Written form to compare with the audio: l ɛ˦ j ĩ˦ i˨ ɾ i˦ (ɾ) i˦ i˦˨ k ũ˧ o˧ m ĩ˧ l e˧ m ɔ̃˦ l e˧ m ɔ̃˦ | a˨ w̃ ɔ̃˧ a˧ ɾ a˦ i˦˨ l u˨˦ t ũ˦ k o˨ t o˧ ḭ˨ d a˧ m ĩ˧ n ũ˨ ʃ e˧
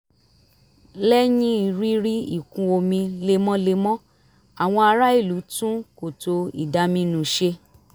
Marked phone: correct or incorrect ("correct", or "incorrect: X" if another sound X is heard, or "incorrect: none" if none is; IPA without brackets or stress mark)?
correct